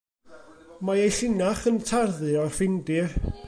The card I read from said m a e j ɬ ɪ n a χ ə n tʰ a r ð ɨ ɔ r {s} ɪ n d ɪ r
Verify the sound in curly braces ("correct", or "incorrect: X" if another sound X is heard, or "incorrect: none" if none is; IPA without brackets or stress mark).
incorrect: f